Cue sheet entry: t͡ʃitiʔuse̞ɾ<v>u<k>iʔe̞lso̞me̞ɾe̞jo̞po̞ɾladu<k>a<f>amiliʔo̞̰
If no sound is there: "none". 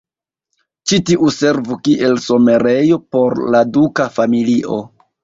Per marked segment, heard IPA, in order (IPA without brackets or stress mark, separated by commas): v, k, k, f